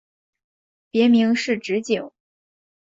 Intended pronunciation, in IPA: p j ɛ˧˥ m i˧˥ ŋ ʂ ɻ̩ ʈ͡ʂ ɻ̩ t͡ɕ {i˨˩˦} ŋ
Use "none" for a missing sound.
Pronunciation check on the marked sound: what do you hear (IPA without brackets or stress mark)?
i˨˩˦